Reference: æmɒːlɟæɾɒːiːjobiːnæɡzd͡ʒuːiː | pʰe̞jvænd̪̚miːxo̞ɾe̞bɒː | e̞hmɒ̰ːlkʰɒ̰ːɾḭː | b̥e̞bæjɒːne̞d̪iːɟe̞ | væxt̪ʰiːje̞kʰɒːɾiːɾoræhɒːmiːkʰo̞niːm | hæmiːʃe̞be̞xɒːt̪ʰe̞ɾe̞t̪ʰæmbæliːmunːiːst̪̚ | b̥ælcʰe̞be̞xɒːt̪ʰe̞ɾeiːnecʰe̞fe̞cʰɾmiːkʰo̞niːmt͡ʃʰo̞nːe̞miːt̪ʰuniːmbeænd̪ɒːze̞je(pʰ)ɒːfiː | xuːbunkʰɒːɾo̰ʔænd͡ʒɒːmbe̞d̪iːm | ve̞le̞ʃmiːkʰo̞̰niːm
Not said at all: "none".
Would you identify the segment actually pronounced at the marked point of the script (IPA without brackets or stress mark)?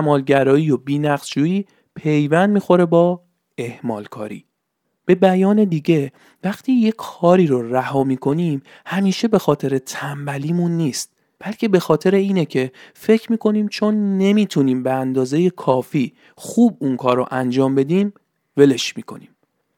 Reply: kʰ